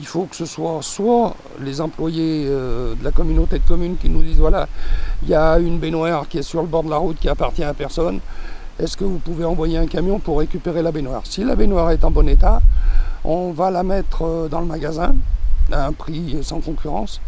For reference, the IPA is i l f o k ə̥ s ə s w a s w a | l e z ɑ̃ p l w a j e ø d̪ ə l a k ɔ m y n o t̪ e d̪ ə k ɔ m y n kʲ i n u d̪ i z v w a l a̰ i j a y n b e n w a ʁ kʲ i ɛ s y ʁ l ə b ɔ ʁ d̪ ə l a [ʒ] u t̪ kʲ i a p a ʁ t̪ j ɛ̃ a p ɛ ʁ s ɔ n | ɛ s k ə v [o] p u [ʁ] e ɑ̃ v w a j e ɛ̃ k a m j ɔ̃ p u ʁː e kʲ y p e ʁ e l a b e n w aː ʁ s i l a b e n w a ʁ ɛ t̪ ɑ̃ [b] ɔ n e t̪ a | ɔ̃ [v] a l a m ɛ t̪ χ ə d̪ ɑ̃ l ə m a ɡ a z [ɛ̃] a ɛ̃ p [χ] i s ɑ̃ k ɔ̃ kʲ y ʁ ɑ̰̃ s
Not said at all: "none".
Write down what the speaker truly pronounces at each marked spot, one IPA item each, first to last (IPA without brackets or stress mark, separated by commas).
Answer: ʁ, u, v, b, v, ɛ̃, χ